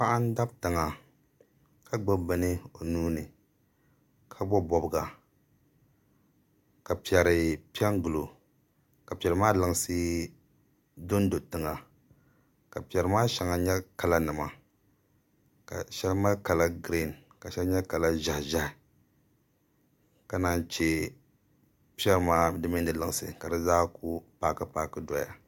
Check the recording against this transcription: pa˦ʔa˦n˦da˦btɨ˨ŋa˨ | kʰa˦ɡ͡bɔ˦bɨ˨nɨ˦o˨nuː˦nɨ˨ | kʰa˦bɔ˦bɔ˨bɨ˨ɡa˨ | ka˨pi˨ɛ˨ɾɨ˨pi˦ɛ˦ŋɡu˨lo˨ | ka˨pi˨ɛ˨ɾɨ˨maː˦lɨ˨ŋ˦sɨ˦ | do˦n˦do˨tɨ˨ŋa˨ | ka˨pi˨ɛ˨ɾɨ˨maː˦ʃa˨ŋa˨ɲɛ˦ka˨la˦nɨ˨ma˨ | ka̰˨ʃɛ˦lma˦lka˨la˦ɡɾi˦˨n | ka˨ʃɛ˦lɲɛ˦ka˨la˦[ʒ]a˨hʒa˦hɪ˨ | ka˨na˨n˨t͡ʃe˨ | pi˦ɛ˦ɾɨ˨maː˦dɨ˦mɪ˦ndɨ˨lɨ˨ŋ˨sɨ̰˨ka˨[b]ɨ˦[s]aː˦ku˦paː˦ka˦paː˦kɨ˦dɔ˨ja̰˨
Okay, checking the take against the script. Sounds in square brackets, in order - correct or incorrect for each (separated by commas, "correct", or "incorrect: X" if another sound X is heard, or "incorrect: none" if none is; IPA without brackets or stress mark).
correct, incorrect: d, incorrect: z